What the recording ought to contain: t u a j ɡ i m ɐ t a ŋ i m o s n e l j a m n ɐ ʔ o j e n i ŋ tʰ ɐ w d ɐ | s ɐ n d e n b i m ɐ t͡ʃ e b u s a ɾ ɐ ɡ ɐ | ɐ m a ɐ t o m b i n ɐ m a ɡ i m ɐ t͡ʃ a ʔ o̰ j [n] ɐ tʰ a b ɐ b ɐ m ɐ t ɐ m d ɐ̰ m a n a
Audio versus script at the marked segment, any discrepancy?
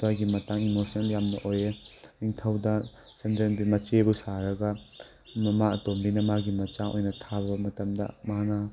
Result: no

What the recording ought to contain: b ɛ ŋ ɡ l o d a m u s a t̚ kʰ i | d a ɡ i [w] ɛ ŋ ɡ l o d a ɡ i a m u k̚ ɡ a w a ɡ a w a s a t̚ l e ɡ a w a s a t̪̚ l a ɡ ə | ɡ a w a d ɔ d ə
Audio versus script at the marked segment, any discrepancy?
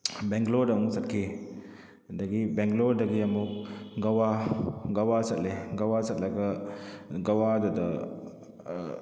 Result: yes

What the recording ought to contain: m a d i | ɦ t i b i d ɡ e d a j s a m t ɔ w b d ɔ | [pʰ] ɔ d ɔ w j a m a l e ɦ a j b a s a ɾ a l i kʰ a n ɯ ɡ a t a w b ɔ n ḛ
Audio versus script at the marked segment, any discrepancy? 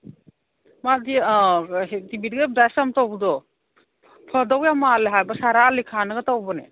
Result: no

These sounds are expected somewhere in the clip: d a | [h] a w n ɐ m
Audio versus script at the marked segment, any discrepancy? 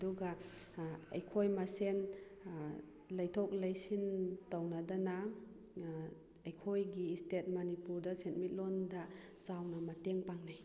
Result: yes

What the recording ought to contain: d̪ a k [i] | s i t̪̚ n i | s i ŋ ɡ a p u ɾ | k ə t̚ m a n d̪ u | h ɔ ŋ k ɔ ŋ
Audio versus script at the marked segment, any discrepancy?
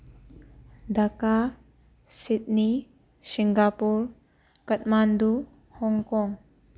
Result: yes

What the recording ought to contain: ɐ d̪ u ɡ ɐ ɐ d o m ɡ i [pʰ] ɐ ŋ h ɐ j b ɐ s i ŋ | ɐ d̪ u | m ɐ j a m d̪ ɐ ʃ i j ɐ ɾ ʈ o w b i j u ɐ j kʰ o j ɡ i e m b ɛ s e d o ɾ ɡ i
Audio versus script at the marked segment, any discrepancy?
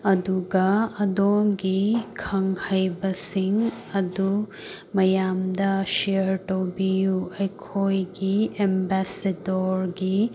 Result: yes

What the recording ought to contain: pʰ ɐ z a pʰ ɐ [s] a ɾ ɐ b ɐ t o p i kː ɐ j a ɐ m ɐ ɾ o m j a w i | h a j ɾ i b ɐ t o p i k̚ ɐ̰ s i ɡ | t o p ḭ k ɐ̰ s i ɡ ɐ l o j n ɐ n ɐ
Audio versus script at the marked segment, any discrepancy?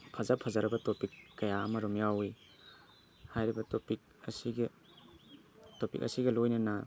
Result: yes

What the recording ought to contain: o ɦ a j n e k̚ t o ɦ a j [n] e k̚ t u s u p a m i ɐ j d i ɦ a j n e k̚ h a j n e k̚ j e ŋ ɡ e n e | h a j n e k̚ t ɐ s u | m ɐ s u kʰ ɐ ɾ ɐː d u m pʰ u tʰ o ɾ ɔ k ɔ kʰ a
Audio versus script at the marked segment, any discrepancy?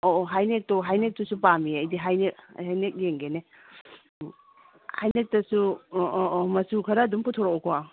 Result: no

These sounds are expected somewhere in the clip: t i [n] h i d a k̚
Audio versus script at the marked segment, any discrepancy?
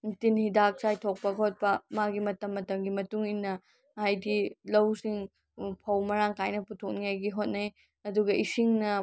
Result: no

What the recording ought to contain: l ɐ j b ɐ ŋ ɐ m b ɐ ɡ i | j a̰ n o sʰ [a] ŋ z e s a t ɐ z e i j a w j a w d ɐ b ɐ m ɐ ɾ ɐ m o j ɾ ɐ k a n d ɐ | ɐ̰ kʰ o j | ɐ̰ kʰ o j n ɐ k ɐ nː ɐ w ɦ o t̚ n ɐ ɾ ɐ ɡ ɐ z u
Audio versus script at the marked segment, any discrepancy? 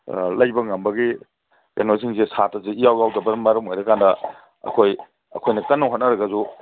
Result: yes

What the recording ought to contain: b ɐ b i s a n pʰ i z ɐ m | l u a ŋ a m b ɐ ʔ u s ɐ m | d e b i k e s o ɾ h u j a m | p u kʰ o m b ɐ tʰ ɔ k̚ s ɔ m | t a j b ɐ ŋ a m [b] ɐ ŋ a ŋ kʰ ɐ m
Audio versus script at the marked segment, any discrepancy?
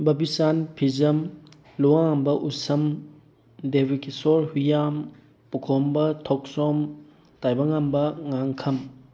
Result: no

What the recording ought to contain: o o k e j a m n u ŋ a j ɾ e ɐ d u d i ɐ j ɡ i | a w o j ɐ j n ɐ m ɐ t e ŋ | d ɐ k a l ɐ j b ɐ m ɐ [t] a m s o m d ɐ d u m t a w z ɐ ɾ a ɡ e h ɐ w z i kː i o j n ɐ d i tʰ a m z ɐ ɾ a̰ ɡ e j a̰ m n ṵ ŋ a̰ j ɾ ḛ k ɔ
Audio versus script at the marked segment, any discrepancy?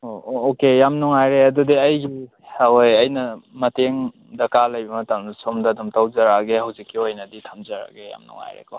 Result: no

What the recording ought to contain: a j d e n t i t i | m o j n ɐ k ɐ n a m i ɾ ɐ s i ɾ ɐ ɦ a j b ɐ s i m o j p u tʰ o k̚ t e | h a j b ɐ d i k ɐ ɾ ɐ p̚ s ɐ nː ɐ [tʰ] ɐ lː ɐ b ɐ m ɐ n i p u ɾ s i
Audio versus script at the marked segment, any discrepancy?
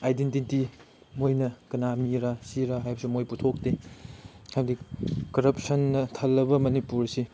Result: no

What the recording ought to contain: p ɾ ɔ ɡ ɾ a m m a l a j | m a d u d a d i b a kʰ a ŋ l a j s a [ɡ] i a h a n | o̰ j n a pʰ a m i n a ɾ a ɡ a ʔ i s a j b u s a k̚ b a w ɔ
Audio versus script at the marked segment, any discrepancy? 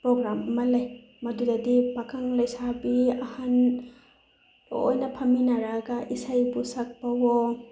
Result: yes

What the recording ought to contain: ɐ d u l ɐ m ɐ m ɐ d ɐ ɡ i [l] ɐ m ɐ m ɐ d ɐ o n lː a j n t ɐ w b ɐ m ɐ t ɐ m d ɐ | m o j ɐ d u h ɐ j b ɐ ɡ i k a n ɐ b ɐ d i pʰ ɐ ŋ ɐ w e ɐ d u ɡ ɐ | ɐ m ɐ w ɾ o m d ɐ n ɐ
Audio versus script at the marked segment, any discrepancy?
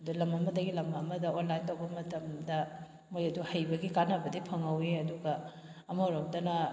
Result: no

